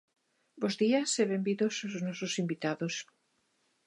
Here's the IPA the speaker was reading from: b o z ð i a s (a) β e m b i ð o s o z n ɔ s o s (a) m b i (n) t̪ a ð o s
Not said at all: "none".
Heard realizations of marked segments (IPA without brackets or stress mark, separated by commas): e, i, none